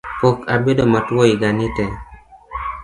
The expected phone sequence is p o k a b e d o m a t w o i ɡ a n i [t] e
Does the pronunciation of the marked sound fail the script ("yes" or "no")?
no